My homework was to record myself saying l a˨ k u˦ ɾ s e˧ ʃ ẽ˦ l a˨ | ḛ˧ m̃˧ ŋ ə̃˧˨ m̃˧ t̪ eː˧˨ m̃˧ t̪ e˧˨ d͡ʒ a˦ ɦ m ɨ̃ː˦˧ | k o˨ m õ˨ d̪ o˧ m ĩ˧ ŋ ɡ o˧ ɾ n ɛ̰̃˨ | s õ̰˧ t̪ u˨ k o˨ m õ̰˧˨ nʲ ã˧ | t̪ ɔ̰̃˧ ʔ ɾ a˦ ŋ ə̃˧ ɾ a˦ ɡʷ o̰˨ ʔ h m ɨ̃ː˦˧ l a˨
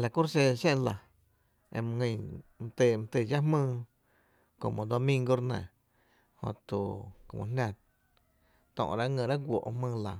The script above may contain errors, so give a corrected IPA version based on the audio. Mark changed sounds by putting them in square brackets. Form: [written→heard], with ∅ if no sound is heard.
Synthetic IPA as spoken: l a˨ k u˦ ɾ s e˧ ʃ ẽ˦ l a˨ | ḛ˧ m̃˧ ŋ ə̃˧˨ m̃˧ t̪ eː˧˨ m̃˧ t̪ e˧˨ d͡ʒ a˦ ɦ m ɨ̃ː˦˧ | k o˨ m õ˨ d̪ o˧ m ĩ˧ ŋ ɡ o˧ ɾ n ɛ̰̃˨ | [s→h] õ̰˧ t̪ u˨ k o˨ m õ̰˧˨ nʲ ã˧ | t̪ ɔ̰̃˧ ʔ ɾ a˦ ŋ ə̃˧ ɾ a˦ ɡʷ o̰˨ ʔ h m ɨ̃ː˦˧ l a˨